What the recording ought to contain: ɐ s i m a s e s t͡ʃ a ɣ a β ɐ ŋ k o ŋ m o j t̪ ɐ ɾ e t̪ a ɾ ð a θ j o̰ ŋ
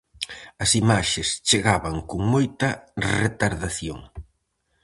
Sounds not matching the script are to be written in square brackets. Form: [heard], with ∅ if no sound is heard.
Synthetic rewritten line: ɐ s i m a [ʃ] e s t͡ʃ [e] ɣ a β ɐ ŋ k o ŋ m o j t̪ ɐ [r] e t̪ a ɾ ð a θ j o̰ ŋ